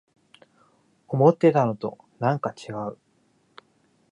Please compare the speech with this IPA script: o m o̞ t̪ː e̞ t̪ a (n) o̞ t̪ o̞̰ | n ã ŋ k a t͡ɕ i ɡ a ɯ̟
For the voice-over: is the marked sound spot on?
yes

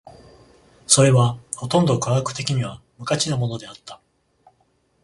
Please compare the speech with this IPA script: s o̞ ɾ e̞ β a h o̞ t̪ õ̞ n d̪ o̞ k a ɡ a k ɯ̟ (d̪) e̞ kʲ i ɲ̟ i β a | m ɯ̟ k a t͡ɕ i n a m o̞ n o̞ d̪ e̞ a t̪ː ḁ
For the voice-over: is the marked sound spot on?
no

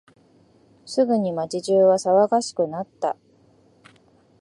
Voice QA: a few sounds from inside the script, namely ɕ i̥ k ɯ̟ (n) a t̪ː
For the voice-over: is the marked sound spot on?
yes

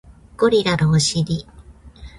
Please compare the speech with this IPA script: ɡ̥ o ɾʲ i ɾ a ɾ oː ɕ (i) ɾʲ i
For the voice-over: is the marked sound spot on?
yes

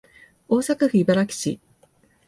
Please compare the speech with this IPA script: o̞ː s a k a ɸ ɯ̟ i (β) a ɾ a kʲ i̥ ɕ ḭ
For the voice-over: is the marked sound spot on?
no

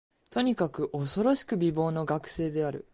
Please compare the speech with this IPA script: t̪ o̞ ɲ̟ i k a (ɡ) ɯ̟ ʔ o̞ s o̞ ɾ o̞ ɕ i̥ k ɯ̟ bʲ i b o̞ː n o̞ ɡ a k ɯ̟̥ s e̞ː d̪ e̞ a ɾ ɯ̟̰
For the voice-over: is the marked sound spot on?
no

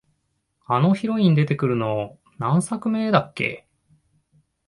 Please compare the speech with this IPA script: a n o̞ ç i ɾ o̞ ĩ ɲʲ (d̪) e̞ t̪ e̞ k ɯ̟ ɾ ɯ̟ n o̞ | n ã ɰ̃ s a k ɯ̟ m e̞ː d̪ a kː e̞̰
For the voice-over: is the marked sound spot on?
yes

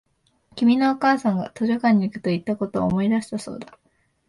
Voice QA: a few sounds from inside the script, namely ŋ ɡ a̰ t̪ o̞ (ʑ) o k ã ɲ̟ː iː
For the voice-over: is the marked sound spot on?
yes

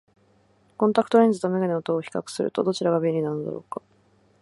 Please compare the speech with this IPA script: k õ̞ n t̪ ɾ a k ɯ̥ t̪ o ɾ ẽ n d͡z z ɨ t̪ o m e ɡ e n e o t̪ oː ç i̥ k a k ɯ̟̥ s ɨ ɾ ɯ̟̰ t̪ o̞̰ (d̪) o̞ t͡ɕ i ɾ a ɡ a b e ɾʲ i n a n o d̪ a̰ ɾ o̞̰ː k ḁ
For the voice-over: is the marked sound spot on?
yes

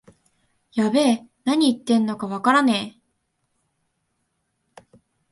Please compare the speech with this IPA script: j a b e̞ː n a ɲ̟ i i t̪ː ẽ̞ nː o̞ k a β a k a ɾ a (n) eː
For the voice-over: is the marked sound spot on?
yes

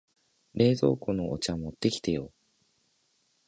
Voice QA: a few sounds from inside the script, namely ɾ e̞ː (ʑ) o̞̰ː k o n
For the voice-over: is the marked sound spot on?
no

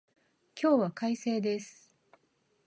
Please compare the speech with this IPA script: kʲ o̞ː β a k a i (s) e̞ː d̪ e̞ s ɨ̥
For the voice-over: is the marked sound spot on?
yes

